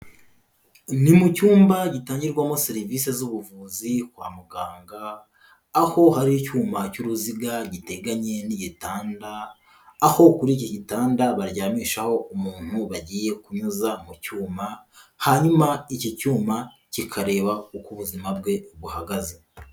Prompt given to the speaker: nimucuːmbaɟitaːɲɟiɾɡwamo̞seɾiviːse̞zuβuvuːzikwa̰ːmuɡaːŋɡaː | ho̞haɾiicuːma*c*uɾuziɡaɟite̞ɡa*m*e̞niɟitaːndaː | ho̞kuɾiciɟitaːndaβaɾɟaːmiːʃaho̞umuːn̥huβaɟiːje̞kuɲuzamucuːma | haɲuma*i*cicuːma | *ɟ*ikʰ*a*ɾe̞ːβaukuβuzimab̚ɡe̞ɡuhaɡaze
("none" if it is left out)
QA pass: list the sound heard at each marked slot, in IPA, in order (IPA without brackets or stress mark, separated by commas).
c, ɲ, i, c, a